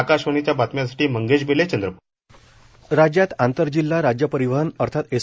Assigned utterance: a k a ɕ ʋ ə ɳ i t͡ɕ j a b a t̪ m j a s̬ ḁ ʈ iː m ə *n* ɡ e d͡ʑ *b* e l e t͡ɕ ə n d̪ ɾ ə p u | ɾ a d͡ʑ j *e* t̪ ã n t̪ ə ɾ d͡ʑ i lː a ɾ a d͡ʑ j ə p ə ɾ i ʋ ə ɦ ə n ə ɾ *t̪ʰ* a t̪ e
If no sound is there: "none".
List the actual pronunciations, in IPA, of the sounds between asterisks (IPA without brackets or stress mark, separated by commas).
ŋ, b, a, t̪ʰ